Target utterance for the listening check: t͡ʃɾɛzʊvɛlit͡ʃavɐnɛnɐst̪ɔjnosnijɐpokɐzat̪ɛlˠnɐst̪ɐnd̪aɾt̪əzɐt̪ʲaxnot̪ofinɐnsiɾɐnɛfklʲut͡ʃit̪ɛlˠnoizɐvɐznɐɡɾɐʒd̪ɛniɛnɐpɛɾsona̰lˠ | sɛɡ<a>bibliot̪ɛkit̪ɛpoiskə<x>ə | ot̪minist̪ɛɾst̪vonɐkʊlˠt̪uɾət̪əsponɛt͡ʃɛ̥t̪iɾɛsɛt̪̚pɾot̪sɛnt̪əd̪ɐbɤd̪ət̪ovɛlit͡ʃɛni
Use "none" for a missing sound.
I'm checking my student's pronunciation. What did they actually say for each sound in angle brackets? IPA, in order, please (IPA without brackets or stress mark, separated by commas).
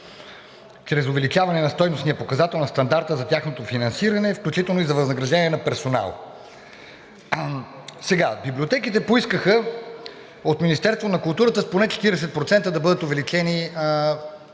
a, x